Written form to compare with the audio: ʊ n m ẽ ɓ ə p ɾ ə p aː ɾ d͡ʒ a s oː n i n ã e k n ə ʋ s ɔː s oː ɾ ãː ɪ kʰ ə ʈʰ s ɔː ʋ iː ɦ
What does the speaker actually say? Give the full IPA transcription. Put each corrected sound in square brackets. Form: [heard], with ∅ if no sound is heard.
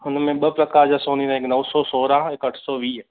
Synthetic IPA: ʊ n m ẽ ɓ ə p ɾ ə [k] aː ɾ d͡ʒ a s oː n i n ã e k n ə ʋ s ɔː s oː ɾ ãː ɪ [k] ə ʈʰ s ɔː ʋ iː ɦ

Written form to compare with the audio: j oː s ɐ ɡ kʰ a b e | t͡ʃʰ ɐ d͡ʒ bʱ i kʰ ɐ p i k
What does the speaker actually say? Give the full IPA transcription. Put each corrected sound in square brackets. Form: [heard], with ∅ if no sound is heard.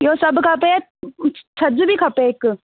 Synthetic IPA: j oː s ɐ [b] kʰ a [p] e | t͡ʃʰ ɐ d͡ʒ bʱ i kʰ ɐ p [e] k

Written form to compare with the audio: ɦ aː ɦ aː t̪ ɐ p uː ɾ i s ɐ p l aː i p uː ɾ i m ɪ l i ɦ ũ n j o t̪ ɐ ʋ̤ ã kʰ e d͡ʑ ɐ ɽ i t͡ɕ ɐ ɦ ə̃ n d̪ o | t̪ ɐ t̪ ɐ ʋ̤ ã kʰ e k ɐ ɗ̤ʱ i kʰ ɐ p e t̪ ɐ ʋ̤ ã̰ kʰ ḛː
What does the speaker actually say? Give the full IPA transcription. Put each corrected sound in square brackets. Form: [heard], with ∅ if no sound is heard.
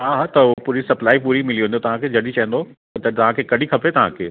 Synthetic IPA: ɦ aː ɦ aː t̪ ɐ p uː ɾ i s ɐ p l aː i p uː ɾ i m ɪ l i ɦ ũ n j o t̪ ɐ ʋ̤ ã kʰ e d͡ʑ ɐ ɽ i t͡ɕ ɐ ɦ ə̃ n d̪ o | t̪ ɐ t̪ ɐ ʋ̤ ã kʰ e k ɐ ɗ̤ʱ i kʰ ɐ p e t̪ ɐ ʋ̤ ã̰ kʰ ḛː

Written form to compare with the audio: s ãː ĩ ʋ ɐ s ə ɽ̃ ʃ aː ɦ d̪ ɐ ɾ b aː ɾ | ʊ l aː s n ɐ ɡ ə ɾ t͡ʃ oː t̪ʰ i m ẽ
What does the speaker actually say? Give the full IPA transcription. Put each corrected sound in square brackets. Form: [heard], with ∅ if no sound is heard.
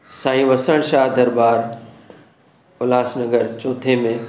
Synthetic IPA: s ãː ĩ ʋ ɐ s ə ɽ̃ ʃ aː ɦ d̪ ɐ ɾ b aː ɾ | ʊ l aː s n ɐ ɡ ə ɾ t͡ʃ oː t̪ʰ [e] m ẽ

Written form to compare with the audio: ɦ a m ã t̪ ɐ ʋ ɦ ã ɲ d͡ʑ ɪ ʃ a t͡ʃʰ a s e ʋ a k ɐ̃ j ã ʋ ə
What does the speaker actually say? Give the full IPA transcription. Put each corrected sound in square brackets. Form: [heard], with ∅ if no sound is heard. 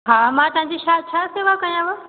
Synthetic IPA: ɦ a m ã t̪ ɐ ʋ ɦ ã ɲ d͡ʑ [i] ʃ a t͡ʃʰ a s e ʋ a k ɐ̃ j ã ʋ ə

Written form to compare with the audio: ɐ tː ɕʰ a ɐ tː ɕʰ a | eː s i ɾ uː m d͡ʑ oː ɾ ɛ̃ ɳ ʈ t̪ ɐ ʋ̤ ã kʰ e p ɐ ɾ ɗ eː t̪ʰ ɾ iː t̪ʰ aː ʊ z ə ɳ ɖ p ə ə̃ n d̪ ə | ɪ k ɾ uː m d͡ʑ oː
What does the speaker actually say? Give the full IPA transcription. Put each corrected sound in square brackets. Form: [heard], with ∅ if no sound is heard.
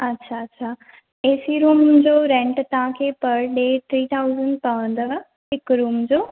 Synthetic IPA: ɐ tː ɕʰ a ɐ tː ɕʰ a | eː s i ɾ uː m d͡ʑ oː ɾ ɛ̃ ɳ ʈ t̪ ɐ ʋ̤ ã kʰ e p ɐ ɾ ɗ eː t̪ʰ ɾ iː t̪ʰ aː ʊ z ə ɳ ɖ p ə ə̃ n d̪ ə | ɪ k ɾ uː m d͡ʑ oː

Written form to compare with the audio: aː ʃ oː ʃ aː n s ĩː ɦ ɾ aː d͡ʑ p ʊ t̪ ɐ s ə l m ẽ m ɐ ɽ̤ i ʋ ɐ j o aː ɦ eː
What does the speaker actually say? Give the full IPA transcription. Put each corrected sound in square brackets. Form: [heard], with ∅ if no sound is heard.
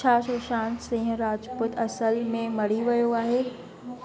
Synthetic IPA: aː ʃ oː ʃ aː n s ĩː ɦ ɾ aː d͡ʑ p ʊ t̪ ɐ s ə l m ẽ m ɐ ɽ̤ i ʋ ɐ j o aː ɦ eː

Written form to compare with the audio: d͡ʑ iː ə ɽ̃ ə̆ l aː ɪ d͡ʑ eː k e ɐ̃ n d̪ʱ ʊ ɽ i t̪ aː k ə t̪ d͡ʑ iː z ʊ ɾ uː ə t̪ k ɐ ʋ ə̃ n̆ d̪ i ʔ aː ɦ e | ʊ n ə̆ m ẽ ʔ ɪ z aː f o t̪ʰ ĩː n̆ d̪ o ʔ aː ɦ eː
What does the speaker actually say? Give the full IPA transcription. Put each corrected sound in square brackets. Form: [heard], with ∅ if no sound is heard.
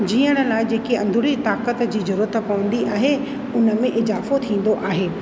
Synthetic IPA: d͡ʑ iː ə ɽ̃ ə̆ l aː ɪ d͡ʑ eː k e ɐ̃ n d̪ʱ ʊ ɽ i t̪ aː k ə t̪ d͡ʑ iː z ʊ ɾ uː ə t̪ [p] ɐ ʋ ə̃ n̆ d̪ i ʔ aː ɦ e | ʊ n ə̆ m ẽ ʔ ɪ z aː f o t̪ʰ ĩː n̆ d̪ o ʔ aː ɦ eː

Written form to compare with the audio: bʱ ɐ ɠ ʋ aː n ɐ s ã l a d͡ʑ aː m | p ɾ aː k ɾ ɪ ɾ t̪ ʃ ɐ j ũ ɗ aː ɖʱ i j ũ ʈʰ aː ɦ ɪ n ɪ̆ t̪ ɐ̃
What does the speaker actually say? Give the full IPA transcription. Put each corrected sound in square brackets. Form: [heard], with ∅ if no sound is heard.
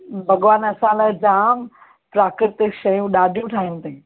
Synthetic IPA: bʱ ɐ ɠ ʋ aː n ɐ s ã l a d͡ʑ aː m | p ɾ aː k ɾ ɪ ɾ t̪ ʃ ɐ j ũ ɗ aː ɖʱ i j ũ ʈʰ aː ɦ ɪ n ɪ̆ t̪ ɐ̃

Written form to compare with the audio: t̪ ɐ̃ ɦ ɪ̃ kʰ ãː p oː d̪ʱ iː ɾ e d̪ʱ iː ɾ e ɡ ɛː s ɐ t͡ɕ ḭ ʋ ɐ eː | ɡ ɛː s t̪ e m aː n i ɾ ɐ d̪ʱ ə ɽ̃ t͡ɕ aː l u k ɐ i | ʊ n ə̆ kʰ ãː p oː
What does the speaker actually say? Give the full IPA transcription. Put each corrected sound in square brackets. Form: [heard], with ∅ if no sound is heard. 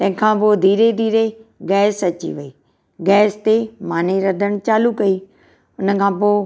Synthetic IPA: t̪ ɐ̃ ɦ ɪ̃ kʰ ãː p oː d̪ʱ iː ɾ e d̪ʱ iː ɾ e ɡ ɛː s ɐ t͡ɕ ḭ ʋ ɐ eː | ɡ ɛː s t̪ e m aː n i ɾ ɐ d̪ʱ ə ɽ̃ t͡ɕ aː l u k ɐ i | ʊ n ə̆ kʰ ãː p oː

